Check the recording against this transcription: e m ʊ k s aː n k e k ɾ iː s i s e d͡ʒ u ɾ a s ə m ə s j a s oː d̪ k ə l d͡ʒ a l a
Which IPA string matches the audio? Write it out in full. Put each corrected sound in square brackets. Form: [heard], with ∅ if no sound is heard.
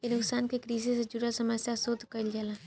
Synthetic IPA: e [n] ʊ k s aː n k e k ɾ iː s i s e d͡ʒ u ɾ a s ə m ə s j a s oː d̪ k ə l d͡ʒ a l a